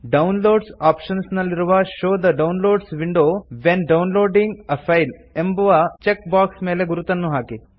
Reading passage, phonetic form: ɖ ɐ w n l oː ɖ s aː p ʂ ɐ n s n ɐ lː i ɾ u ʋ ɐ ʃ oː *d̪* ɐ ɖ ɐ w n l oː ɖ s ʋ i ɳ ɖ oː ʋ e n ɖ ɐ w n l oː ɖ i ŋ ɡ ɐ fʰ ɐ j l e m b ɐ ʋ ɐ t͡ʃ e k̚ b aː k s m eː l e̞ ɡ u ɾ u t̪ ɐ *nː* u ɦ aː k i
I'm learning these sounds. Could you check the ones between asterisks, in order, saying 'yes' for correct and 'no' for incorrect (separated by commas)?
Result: yes, yes